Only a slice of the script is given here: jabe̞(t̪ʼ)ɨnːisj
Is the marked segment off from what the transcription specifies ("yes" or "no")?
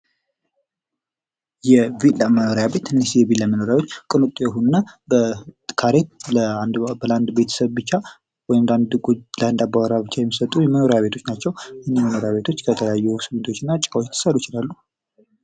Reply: yes